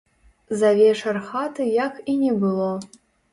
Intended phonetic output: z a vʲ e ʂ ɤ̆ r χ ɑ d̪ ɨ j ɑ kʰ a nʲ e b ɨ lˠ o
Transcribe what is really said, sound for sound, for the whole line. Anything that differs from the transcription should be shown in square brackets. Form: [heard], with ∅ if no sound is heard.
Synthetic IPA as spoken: z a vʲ e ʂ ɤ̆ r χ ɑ [t̪] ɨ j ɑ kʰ [i] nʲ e b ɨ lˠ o